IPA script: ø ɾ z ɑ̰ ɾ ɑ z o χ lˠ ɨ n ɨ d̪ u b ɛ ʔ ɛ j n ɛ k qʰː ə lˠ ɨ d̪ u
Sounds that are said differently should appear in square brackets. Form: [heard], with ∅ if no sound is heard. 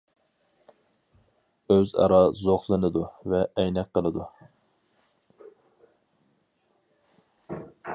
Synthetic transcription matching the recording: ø [∅] z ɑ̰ ɾ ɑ z o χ lˠ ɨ n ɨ d̪ u [v] ɛ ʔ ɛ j n ɛ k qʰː ə lˠ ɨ d̪ u